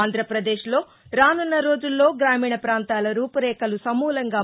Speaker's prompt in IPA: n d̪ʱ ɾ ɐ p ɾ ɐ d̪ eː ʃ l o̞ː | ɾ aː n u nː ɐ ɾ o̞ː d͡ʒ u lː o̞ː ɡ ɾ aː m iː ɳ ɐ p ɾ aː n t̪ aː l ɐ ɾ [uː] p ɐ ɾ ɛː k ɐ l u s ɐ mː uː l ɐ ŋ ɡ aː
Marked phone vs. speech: correct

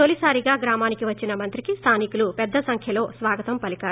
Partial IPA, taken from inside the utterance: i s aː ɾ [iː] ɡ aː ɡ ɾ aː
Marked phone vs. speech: incorrect: i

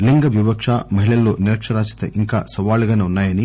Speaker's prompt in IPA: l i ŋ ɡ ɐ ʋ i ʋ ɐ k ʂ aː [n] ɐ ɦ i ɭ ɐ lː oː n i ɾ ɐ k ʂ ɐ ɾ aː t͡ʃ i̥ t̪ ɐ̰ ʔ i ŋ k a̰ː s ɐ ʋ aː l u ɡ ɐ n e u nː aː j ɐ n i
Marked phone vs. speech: incorrect: m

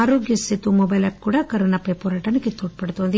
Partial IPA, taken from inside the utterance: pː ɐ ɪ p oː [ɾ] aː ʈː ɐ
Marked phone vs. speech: correct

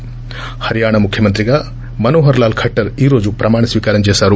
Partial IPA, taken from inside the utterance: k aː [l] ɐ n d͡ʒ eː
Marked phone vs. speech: incorrect: ɾ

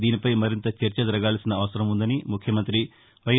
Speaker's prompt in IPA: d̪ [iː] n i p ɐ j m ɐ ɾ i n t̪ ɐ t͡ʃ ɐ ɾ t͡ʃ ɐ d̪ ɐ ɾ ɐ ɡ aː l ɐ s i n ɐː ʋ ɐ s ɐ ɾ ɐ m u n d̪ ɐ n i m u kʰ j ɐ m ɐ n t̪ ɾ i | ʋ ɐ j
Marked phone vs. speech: correct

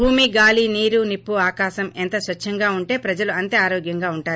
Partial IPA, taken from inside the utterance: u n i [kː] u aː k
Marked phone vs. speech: incorrect: pː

